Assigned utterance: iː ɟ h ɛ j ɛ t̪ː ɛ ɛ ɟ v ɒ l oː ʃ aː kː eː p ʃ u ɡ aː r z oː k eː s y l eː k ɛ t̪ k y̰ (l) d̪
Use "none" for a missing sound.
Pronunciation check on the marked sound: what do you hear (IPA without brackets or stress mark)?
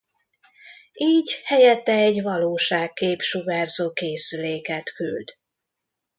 l